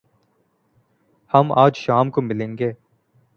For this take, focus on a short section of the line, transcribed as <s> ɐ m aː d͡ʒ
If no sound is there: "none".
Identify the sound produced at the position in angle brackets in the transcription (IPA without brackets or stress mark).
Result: h